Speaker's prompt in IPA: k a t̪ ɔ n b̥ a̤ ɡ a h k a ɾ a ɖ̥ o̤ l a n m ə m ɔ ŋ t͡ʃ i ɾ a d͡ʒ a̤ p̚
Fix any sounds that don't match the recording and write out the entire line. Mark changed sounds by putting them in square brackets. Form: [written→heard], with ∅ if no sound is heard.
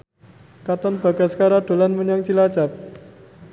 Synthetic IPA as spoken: k a t̪ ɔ n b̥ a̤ ɡ a [h→s] k a ɾ a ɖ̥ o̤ l a n m ə [m→ɲ] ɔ ŋ t͡ʃ i [ɾ→l] a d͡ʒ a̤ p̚